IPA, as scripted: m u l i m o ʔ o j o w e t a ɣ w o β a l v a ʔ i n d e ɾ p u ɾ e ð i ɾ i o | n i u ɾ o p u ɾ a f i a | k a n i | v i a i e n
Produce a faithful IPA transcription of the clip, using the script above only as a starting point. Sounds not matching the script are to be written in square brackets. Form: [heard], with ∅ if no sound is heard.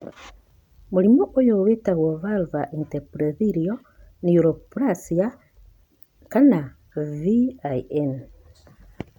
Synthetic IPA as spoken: m u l i m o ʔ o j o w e t a ɣ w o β a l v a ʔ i n [t] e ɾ p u ɾ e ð i ɾ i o | n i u ɾ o p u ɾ a [s] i a | k a n [a] | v i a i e n